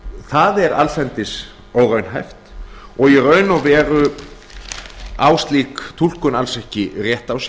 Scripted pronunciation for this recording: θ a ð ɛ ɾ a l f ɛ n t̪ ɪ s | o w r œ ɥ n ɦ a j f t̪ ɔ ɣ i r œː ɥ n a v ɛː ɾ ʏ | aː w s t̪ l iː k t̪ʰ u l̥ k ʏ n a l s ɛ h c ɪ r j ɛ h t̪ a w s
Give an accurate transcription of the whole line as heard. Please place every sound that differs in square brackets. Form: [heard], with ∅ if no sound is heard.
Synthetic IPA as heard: θ a ð ɛ ɾ a l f ɛ n t̪ ɪ s | o w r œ ɥ n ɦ a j f t̪ ɔ ɣ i r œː ɥ n a v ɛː ɾ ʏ | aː w s t̪ l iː k t̪ʰ u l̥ k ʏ n a l s ɛ h c ɪ r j ɛ h t̪ a w s

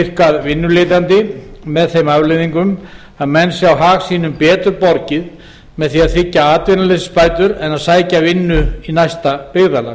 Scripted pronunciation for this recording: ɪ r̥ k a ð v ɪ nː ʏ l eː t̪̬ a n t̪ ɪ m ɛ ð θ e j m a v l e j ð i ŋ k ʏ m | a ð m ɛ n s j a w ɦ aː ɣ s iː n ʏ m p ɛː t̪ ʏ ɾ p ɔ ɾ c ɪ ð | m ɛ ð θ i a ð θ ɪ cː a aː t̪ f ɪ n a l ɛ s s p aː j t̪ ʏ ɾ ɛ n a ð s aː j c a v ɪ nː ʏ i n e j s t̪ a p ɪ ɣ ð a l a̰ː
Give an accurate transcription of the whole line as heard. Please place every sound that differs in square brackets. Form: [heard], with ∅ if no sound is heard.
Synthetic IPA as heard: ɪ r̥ k a ð v ɪ nː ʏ l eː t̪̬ a n t̪ ɪ m ɛ ð θ e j m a v l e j ð i ŋ k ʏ m | a ð m ɛ n s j a w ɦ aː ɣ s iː n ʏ m p ɛː t̪ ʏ ɾ p ɔ ɾ c ɪ ð | m ɛ ð θ i a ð θ ɪ cː a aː t̪ [v] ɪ n a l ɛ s s p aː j t̪ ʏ ɾ ɛ n a ð s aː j c a v ɪ nː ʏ i n [a] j s t̪ a p ɪ ɣ ð a l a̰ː

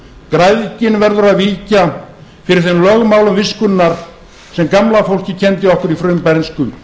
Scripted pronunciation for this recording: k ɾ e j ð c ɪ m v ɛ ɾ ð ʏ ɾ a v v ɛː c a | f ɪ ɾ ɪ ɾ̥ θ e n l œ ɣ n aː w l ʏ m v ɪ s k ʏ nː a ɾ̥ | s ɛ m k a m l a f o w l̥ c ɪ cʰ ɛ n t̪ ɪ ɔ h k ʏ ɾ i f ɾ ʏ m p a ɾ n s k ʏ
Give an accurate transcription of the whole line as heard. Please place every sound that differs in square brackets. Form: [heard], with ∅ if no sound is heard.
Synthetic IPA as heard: k ɾ [a] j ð c ɪ [n] v ɛ ɾ ð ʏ ɾ a [ð] v [iː] c a | f ɪ ɾ ɪ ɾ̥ θ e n l œ ɣ [m] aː w l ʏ m v ɪ s k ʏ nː a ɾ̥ | s ɛ m k a m l a f o w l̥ c ɪ cʰ ɛ n t̪ ɪ ɔ h k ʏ ɾ i f ɾ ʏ m p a ɾ n s k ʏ

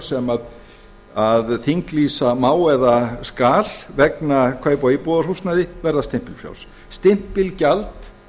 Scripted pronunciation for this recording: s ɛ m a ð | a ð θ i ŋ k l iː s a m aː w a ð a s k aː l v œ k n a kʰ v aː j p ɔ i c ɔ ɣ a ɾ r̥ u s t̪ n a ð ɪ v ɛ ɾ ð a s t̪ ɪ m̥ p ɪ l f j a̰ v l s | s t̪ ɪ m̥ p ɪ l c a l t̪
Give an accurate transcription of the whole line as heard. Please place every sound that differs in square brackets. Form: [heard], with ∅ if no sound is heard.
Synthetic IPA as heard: s ɛ m a ð | a ð θ i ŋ k l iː s a m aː w [ɛ] ð a s k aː l v [ɛ] k n a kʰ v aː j p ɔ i [p] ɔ [ð] a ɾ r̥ u s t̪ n a ð ɪ v ɛ ɾ ð a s t̪ ɪ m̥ p ɪ l f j a̰ [w] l s | s t̪ ɪ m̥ p ɪ l c a l t̪

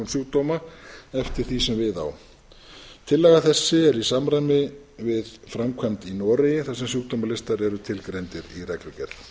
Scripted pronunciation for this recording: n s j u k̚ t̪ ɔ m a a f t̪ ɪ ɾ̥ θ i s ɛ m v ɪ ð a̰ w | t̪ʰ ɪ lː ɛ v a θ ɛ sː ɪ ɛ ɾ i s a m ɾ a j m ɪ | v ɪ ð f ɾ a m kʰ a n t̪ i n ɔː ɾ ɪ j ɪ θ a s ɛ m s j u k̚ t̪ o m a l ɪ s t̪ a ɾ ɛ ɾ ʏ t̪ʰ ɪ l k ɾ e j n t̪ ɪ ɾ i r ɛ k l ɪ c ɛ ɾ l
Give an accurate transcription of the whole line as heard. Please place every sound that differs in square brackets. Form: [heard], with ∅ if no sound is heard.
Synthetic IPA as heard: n s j u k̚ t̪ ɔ m a [ɛ] f t̪ ɪ ɾ̥ θ i s ɛ m v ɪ ð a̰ w | t̪ʰ ɪ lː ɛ [ɣ] a θ ɛ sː ɪ ɛ ɾ i s a m ɾ a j m ɪ | v ɪ ð f ɾ a m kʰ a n t̪ i n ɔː ɾ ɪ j ɪ θ a s ɛ m s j u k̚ t̪ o m a l ɪ s t̪ a ɾ ɛ ɾ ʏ t̪ʰ ɪ l k ɾ e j n t̪ ɪ ɾ i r ɛ k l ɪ c ɛ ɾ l

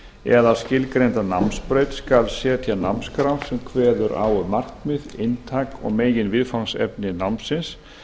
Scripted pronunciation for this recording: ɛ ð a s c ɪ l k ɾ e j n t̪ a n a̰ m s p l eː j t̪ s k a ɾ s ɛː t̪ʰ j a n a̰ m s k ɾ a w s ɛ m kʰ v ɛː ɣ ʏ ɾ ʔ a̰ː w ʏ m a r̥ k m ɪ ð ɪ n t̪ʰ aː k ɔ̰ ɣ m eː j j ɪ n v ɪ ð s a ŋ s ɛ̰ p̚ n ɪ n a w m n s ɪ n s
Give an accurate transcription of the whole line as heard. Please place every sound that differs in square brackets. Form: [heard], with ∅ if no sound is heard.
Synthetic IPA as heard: ɛ ð a s c ɪ l k ɾ e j n t̪ a n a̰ m s p [ɾ] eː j t̪ s k a [l] s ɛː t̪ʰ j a n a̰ m s k ɾ a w s ɛ m kʰ v ɛː [ð] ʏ ɾ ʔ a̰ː w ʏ m a r̥ k m ɪ ð ɪ n t̪ʰ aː k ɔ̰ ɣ m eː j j ɪ n v ɪ ð [f] a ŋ s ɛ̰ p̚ n ɪ n a w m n s ɪ n s

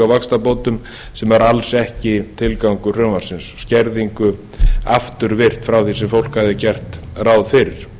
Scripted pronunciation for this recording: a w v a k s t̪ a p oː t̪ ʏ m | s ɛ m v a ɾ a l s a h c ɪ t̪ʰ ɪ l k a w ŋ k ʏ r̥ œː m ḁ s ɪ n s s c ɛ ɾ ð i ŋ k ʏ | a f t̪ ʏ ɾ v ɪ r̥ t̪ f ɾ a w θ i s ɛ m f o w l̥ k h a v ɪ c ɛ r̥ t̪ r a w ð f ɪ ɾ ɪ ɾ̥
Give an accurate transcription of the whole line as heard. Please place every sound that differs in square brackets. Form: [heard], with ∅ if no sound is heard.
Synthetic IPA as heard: a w v a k s t̪ a p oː t̪ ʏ m | s ɛ m v a ɾ a l s [ɛ] h c ɪ t̪ʰ ɪ l k a w ŋ k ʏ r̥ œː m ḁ s ɪ n s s c ɛ ɾ ð i ŋ k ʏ | a f t̪ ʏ ɾ v ɪ r̥ t̪ f ɾ a w θ i s ɛ m f o w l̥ k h a [ð] ɪ c ɛ r̥ t̪ r a w ð f ɪ ɾ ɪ ɾ̥

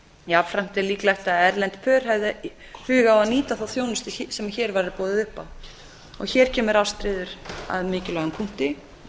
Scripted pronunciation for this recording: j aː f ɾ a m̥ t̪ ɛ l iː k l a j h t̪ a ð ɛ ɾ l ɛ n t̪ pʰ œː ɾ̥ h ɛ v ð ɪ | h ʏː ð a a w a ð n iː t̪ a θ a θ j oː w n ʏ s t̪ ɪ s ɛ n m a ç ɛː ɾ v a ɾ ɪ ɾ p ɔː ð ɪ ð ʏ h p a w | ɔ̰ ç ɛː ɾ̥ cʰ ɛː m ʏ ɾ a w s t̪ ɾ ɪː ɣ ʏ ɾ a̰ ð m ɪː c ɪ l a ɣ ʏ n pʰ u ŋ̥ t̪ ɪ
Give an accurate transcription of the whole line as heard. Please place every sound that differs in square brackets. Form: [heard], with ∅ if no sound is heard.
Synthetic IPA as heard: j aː f ɾ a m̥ t̪ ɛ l iː k l a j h t̪ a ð ɛ ɾ l ɛ n t̪ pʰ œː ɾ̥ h ɛ v ð ɪ | h ʏː [ɣ] a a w a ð n iː t̪ a θ a θ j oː w n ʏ s t̪ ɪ s ɛ [∅] m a ç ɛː ɾ v a ɾ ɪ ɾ p ɔː ð ɪ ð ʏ h p a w | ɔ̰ ç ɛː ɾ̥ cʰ ɛː m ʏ ɾ a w s t̪ ɾ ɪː [ð] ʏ ɾ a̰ ð m ɪː c ɪ l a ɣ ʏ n pʰ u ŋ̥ t̪ ɪ

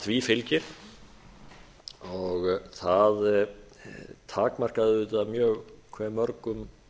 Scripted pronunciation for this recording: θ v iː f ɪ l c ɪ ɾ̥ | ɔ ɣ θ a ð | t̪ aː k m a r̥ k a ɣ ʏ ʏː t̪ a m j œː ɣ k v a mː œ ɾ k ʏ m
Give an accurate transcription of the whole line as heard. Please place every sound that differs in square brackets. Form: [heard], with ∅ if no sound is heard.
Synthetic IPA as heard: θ v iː f ɪ l c ɪ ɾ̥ | ɔ ɣ θ a ð | [t̪ʰ] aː k m a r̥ k a [ð] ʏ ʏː t̪ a m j œː ɣ [kʰ] v [ɛ] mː œ ɾ k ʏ m

